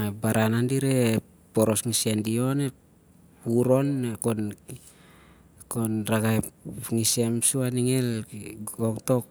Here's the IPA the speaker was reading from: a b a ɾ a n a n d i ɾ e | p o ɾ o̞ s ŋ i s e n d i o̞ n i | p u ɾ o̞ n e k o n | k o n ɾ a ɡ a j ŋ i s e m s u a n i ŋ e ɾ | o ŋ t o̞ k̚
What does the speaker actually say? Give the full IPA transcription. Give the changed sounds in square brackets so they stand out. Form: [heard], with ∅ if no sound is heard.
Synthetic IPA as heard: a b a ɾ a n a n d i ɾ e | p o ɾ o̞ s ŋ i s e n d i o̞ n [e] | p u ɾ o̞ n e k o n | k o n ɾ a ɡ a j ŋ i s e m s u a n i ŋ e [l] | o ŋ t o̞ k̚

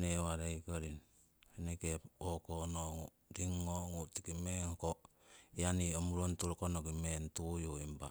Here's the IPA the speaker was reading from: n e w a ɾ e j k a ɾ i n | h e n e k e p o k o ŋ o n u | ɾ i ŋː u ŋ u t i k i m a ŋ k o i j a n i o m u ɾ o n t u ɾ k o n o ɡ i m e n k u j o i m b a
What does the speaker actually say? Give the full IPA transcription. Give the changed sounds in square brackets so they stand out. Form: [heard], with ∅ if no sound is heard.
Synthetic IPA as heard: n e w a ɾ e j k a ɾ i n | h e n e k e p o k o [n] o [ŋ] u | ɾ i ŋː [o] ŋ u t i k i m [e] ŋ k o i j a n i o m u ɾ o n t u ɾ k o n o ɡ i m e n [t] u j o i m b a

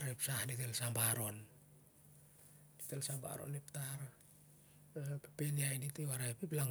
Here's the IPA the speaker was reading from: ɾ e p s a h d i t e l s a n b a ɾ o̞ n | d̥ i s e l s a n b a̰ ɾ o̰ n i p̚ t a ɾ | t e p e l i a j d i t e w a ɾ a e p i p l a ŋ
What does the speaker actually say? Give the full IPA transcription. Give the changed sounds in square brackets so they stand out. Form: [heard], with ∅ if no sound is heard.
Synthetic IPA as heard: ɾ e p s a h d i t e l s a [m] b a ɾ o̞ n | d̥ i [t] e l s a [m] b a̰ ɾ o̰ n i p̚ t a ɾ | [p] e p e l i a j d i t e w a ɾ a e p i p l a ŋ

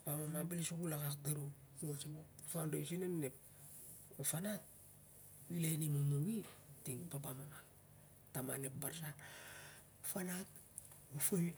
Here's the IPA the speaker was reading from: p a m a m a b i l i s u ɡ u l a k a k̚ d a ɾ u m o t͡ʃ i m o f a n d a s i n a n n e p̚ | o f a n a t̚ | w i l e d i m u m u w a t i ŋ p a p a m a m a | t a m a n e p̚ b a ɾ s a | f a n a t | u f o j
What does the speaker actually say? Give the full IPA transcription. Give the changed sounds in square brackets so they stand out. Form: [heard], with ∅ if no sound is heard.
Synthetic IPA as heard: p a m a m a b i l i s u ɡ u l a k a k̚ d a ɾ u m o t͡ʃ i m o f a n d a s i n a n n e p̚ | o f a n a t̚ | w i l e [n] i m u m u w [i] t i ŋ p a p a m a m a | t a m a n e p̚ b a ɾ s a | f a n a t | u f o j

